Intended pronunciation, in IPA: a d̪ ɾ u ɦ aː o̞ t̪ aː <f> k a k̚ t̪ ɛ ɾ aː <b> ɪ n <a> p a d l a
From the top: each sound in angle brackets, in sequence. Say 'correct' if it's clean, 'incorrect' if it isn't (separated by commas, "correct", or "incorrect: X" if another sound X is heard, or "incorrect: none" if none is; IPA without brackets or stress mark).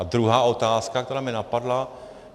incorrect: s, incorrect: m, correct